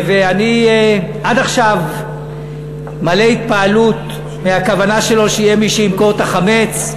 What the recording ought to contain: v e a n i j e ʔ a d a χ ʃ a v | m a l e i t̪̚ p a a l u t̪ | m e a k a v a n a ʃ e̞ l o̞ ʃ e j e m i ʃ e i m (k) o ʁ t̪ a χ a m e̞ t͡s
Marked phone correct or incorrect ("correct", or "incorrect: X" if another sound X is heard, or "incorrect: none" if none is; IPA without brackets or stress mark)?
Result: correct